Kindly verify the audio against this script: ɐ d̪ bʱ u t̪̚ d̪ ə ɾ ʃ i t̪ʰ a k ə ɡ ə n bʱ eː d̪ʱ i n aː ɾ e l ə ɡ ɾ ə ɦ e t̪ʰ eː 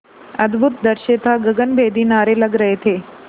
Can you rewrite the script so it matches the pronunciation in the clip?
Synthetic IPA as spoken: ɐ d̪ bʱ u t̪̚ d̪ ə ɾ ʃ e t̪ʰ a ɡ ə ɡ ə n bʱ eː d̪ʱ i n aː ɾ e l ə ɡ ɾ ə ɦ e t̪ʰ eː